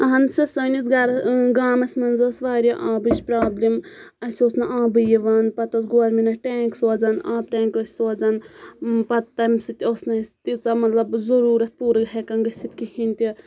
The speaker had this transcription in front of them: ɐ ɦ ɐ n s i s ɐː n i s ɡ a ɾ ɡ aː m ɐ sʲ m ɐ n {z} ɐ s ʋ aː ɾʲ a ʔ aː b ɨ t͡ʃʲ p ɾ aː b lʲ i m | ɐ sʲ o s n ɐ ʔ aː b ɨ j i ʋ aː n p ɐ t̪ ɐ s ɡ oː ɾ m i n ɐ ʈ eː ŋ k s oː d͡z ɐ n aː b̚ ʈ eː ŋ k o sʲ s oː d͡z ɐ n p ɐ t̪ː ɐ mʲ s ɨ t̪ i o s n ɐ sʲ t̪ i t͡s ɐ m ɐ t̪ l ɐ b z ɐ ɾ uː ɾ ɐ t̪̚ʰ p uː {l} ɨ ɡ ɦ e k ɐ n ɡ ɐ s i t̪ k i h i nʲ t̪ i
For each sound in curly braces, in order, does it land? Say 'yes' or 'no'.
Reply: yes, no

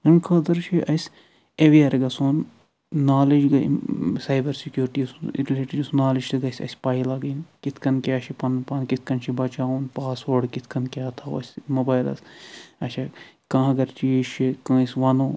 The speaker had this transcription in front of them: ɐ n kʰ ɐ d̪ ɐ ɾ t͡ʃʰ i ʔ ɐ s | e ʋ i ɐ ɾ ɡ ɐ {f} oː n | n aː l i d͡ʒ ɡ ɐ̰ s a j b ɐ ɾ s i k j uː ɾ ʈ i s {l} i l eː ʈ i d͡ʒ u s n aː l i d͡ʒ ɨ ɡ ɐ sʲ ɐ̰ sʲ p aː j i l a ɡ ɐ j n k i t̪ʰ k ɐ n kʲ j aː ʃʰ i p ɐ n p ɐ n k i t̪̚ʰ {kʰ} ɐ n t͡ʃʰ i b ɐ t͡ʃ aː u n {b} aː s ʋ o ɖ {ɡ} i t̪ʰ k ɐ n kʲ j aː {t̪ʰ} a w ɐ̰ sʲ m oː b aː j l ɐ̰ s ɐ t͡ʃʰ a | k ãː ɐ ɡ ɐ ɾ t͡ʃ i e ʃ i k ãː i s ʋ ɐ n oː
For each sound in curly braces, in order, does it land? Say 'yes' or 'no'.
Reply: no, no, no, no, no, yes

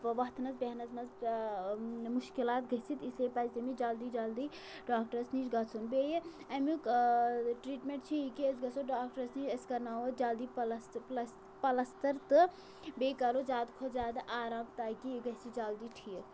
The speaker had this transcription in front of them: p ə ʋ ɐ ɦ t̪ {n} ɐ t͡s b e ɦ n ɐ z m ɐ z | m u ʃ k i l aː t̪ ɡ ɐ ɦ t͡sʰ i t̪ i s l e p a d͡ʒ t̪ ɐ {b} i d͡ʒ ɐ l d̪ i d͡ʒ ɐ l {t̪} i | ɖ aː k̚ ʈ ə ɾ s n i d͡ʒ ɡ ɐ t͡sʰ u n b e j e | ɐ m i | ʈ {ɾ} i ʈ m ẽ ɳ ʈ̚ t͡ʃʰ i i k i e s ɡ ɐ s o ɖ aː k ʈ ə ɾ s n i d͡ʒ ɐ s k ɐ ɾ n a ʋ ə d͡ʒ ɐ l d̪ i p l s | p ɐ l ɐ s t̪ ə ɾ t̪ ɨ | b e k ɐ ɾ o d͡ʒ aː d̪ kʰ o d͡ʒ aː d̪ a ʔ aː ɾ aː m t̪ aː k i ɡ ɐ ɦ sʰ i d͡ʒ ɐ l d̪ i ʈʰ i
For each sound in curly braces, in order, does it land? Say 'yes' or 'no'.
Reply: yes, no, no, yes

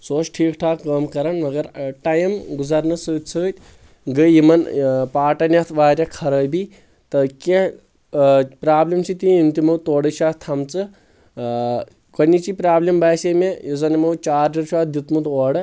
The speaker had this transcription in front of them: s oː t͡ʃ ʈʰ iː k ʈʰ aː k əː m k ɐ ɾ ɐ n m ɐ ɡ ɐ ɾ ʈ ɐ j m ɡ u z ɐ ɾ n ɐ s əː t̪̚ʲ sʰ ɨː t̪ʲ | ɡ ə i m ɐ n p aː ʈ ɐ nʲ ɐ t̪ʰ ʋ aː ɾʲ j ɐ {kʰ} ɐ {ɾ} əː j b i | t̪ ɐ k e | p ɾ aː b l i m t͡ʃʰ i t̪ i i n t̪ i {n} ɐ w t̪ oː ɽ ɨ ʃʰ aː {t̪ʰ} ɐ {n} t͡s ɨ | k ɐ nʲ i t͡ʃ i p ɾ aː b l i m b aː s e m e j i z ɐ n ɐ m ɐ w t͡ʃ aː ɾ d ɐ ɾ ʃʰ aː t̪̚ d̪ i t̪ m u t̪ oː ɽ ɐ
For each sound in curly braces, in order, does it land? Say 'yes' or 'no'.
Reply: yes, yes, no, yes, no

